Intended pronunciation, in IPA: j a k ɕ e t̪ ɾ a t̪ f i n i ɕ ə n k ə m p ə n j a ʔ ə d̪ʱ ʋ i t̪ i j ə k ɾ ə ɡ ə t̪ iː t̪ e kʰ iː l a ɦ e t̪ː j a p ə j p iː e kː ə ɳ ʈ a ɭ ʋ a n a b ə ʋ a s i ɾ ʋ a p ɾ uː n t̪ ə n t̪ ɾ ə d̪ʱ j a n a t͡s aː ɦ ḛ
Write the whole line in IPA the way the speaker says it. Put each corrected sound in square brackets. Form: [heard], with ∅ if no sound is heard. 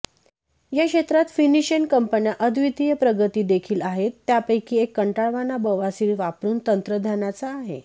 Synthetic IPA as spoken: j a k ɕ e t̪ ɾ a t̪ f i n i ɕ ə n k ə m p ə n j a ʔ ə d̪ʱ ʋ i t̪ i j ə [p] ɾ ə ɡ ə t̪ iː [d̪] e kʰ iː l a ɦ e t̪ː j a p ə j [k] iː e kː ə ɳ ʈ a ɭ ʋ a n a b ə ʋ a s i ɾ ʋ a p ɾ uː n t̪ ə n t̪ ɾ ə d̪ʱ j a n a t͡s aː ɦ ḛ